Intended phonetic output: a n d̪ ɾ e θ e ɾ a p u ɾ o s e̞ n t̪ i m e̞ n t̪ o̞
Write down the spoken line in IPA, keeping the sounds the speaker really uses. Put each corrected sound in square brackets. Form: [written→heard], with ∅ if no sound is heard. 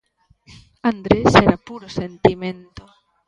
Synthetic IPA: a n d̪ ɾ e [θ→s] e ɾ a p u ɾ o s e̞ n t̪ i m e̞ n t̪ o̞